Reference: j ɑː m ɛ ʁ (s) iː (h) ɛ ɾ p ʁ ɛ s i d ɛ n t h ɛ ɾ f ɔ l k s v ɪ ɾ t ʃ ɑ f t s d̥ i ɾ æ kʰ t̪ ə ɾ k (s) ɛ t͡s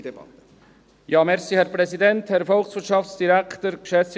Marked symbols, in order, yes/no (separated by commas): yes, yes, no